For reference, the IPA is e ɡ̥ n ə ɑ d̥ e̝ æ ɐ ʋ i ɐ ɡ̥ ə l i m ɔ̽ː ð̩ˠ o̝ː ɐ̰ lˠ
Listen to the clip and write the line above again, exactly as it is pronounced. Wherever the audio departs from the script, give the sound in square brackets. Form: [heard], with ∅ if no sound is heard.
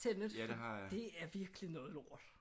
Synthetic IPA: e [∅] n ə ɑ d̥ e̝ æ ɐ ʋ i ɐ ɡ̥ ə l i [n] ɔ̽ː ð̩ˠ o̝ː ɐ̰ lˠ